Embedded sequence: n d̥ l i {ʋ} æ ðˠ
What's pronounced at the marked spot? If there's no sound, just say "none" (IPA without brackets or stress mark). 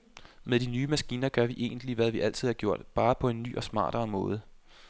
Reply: ʋ